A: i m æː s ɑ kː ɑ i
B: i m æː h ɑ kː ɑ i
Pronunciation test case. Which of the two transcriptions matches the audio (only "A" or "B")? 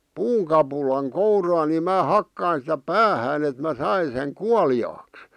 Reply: B